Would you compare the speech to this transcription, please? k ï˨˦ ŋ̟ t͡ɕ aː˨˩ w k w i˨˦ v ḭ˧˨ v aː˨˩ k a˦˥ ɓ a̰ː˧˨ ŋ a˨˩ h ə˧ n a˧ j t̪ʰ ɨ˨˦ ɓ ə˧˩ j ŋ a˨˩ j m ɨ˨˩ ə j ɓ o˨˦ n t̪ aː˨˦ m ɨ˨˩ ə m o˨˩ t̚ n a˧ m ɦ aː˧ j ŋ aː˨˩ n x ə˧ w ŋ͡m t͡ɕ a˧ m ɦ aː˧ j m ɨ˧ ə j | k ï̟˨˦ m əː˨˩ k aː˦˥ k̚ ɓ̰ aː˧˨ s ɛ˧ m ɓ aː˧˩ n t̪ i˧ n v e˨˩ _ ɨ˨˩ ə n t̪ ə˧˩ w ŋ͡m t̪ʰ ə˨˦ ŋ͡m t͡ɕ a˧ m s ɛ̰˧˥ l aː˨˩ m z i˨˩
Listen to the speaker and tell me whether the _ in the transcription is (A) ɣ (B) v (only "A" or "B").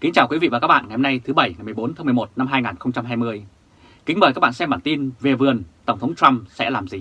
B